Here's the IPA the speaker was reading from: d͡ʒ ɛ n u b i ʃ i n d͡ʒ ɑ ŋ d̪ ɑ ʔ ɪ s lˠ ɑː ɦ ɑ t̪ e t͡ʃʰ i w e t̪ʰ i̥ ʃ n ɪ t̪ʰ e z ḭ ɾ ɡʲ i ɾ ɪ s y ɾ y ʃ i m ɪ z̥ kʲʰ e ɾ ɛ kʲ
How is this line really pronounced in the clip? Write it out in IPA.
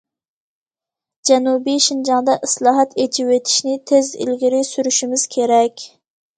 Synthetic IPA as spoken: d͡ʒ ɛ n u b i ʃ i n d͡ʒ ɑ ŋ d̪ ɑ ʔ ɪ s lˠ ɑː ɦ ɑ t̪ e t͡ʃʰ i w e t̪ʰ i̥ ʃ n ɪ t̪ʰ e z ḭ l ɡʲ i ɾ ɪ s y ɾ y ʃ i m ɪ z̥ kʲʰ e ɾ ɛ kʲ